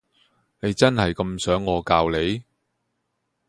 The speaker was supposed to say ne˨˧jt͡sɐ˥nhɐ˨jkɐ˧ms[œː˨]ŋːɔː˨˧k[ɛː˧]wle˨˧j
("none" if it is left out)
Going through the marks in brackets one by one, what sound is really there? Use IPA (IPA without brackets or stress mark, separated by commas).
œː˨˥, aː˧